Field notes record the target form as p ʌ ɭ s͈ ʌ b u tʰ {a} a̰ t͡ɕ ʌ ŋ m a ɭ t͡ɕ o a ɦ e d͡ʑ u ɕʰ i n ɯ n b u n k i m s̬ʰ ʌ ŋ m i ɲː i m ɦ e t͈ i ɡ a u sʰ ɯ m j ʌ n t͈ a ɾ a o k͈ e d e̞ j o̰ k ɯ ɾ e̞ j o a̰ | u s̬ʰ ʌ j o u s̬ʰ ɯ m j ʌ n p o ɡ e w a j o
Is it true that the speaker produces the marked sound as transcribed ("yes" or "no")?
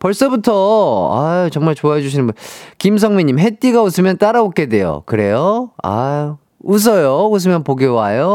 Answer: no